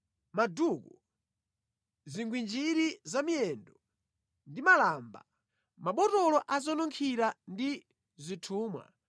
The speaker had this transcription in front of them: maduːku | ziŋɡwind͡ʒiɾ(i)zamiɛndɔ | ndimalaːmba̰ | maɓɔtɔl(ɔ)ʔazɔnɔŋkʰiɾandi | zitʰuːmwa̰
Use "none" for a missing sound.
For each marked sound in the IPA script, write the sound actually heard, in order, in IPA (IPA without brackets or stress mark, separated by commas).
i, ɔ